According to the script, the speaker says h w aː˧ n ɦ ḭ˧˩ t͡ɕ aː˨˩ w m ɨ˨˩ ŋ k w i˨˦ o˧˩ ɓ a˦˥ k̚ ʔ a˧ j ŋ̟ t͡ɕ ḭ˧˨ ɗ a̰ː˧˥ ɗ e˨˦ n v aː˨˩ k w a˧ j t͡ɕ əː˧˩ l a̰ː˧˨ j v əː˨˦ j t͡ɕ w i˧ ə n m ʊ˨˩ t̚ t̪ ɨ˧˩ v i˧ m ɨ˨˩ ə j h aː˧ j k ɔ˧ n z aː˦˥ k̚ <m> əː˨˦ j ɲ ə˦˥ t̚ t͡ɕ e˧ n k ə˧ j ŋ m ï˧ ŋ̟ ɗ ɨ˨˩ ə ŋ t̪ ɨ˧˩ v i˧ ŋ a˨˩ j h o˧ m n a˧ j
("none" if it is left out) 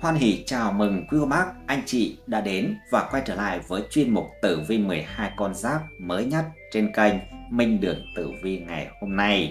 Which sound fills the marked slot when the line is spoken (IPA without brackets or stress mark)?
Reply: m